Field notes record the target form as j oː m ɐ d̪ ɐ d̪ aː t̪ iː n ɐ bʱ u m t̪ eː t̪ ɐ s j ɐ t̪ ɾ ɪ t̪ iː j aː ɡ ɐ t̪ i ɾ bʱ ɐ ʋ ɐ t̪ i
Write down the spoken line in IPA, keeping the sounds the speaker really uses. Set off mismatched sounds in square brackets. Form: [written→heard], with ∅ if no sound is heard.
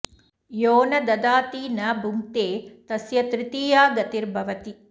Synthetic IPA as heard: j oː [m→n] ɐ d̪ ɐ d̪ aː t̪ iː n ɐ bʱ u m t̪ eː t̪ ɐ s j ɐ t̪ ɾ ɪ t̪ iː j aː ɡ ɐ t̪ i ɾ bʱ ɐ ʋ ɐ t̪ i